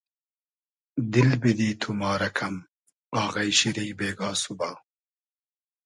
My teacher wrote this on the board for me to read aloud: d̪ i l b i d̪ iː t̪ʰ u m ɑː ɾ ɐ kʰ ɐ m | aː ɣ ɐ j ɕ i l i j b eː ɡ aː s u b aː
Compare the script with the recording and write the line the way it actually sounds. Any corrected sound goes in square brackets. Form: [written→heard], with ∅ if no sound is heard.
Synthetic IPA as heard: d̪ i l b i d̪ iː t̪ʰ u m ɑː ɾ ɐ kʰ ɐ m | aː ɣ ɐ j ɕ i [l→ɾ] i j b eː ɡ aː s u b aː

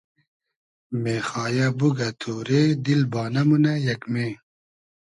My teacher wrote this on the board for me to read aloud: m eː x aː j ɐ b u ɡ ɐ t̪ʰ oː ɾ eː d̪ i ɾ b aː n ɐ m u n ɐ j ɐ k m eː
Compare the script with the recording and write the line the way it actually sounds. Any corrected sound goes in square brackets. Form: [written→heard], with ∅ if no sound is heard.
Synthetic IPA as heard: m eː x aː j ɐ b u ɡ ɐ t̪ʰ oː ɾ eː d̪ i [ɾ→l] b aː n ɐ m u n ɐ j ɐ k m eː

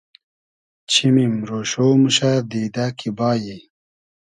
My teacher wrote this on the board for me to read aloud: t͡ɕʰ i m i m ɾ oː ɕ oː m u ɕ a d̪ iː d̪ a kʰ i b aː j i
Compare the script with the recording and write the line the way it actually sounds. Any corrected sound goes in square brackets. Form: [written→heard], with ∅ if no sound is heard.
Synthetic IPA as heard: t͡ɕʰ i m i m ɾ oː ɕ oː m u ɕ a d̪ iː d̪ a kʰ i b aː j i

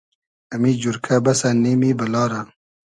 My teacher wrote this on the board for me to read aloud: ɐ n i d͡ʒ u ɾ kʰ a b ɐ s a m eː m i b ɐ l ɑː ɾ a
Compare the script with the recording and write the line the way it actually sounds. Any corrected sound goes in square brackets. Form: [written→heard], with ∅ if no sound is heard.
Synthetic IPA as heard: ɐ [n→m] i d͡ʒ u ɾ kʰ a b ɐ s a [m→n] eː m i b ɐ l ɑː ɾ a

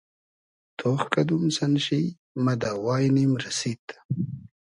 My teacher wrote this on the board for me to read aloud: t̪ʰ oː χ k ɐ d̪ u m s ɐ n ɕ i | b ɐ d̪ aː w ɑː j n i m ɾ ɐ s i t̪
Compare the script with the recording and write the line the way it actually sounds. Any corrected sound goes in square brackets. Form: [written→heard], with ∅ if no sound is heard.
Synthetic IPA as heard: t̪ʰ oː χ k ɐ d̪ u m s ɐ n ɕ i | [b→m] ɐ d̪ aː w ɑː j n i m ɾ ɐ s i t̪

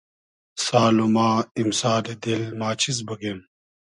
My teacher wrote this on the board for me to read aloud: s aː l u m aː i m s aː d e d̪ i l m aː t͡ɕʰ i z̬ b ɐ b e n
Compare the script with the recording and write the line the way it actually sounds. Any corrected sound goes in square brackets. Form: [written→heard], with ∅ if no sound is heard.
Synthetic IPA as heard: s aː l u m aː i m s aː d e d̪ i l m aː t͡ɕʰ i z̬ b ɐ [b→ɡ] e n

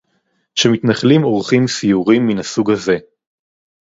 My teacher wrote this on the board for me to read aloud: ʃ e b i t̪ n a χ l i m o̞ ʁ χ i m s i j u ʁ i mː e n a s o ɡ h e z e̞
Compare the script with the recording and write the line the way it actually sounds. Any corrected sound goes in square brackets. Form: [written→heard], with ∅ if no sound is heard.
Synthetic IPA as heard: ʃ e [b→m] i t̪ n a χ l i m o̞ ʁ χ i m s i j u ʁ i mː [e→i] n a s [o→u] ɡ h [e→a] z e̞

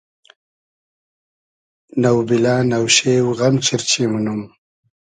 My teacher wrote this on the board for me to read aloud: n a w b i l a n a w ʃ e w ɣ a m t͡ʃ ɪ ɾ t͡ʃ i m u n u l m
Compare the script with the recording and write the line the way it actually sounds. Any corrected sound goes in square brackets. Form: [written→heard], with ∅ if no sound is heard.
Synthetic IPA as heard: n a w b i l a n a w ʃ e w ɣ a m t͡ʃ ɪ ɾ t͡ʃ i m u n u [l→∅] m

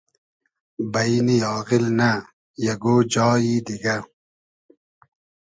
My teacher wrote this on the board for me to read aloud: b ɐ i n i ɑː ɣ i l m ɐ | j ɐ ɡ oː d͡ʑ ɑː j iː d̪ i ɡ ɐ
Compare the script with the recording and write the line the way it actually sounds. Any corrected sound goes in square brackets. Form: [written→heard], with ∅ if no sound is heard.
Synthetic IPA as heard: b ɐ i n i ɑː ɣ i l [m→n] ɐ | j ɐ ɡ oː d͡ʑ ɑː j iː d̪ i ɡ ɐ

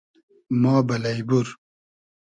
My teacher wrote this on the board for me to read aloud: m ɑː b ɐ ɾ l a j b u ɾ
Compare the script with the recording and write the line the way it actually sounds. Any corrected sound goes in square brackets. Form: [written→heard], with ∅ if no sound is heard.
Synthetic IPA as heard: m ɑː b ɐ [ɾ→∅] l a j b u ɾ

